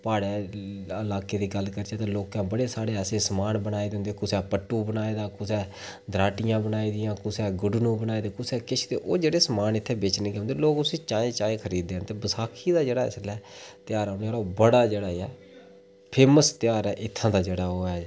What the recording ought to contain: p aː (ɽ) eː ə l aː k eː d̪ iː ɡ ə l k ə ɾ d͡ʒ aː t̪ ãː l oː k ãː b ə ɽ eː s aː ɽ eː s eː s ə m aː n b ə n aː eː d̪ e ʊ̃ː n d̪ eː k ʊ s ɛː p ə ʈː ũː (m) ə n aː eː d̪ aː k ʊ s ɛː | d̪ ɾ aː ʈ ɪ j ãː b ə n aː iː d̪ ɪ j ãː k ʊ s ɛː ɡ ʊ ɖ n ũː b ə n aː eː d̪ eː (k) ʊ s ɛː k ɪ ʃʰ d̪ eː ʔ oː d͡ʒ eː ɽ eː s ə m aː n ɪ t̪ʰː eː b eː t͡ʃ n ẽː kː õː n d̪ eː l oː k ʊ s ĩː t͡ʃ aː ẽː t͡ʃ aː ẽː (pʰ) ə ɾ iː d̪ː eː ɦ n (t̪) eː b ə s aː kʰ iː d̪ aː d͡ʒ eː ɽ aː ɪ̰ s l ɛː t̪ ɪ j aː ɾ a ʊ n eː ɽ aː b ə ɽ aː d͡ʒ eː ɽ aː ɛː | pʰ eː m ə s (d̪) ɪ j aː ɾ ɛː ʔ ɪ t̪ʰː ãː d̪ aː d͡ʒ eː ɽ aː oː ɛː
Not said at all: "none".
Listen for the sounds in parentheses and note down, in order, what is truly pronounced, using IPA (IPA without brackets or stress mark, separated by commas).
ɽ, b, k, kʰ, t̪, t̪